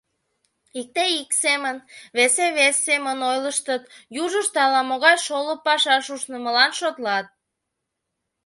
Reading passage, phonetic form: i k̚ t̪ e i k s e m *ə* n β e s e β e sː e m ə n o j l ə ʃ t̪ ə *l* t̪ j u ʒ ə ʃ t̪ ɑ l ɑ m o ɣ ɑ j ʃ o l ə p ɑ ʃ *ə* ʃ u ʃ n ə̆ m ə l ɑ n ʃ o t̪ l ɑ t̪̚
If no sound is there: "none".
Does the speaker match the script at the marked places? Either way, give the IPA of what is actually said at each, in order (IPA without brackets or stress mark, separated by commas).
ə, none, ɑ